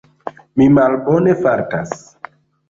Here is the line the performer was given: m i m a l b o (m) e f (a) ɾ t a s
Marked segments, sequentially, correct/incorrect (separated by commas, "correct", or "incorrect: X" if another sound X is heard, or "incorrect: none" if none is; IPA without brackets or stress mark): incorrect: n, correct